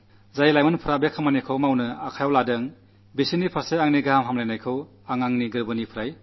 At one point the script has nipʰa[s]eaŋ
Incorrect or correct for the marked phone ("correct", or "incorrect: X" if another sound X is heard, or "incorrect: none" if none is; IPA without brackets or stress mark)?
correct